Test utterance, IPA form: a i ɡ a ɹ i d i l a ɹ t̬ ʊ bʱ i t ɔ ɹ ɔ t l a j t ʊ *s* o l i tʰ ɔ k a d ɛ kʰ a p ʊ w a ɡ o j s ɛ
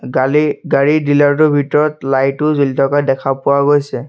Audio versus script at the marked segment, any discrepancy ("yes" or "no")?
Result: yes